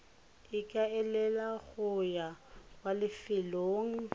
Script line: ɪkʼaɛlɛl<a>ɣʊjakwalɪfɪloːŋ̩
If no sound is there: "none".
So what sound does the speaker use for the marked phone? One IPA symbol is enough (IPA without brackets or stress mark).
a